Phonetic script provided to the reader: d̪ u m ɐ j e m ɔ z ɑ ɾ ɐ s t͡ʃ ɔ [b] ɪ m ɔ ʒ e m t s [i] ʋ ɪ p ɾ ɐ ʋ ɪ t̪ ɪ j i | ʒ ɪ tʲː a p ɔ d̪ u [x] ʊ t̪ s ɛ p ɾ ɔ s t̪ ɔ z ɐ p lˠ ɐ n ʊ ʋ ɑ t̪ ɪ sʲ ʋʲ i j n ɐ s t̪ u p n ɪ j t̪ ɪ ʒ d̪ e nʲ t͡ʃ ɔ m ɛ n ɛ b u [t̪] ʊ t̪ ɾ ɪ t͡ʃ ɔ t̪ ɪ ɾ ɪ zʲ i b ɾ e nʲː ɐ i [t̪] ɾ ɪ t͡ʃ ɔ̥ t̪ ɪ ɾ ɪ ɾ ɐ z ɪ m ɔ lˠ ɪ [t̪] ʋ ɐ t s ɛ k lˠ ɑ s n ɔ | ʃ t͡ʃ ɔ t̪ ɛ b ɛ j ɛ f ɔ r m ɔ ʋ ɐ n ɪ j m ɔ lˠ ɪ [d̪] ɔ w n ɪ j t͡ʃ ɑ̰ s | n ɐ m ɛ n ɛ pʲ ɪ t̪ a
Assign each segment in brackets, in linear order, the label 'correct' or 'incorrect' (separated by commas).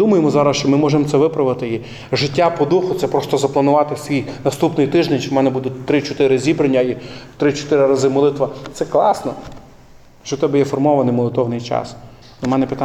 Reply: incorrect, incorrect, correct, incorrect, correct, correct, incorrect